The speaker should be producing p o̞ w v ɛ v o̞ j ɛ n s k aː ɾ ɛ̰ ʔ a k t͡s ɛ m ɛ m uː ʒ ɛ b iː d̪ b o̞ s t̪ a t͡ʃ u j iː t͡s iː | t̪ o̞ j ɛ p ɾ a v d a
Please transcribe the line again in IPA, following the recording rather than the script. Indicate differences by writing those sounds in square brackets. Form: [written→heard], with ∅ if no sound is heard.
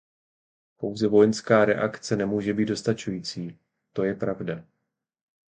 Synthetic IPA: p o̞ w [v→z] ɛ v o̞ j ɛ n s k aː ɾ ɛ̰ ʔ a k t͡s ɛ [m→n] ɛ m uː ʒ ɛ b iː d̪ [b→d] o̞ s t̪ a t͡ʃ u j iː t͡s iː | t̪ o̞ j ɛ p ɾ a v d a